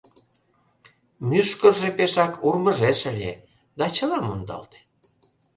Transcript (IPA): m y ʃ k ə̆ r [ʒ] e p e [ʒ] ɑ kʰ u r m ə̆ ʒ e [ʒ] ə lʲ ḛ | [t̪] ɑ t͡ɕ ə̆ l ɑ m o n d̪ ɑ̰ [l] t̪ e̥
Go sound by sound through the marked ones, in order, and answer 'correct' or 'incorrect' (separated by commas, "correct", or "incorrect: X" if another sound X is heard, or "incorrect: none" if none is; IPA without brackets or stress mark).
correct, incorrect: ʃ, incorrect: ʃ, incorrect: d̪, correct